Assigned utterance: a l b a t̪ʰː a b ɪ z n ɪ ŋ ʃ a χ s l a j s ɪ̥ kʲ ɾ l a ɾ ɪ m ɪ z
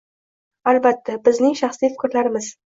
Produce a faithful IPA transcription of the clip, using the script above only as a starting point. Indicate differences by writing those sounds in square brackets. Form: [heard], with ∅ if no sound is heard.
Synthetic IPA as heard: a l b a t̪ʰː a b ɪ z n ɪ ŋ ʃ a χ s l [i] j [f] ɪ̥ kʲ ɾ l a ɾ ɪ m ɪ z